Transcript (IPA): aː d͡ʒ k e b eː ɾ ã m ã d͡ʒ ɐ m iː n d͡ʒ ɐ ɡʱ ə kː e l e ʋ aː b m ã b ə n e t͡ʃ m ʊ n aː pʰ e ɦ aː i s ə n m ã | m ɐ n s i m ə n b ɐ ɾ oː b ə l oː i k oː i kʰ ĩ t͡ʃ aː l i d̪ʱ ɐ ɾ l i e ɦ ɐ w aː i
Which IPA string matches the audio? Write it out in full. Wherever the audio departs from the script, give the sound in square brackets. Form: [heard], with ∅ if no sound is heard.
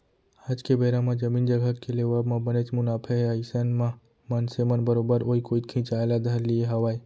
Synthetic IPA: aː d͡ʒ k e b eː ɾ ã m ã d͡ʒ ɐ m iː n d͡ʒ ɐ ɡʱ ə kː e l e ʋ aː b m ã b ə n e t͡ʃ m ʊ n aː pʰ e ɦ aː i s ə n m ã | m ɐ n s [e] m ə n b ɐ ɾ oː b ə [ɾ] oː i k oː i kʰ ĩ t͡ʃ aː l [a] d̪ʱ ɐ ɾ l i e ɦ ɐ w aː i